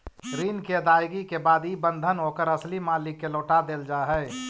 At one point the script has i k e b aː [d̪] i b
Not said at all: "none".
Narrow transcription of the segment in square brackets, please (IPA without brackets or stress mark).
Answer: d̪